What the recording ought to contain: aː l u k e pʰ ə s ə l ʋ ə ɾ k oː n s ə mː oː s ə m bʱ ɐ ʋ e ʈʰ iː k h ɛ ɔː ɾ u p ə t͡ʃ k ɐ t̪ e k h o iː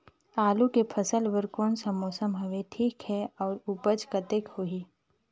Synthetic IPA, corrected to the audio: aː l u k e pʰ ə s ə l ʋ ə ɾ k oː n s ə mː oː s ə m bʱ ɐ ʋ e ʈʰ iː k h ɛ ɔː ɾ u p ə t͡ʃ k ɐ t̪ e k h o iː